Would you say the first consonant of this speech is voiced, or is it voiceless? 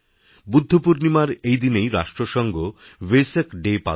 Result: voiced